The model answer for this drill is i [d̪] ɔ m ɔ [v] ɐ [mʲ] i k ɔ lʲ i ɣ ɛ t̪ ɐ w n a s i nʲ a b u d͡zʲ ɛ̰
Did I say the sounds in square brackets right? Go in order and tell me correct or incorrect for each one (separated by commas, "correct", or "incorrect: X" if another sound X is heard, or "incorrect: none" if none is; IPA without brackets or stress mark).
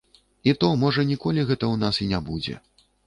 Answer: incorrect: t̪, incorrect: ʐ, incorrect: nʲ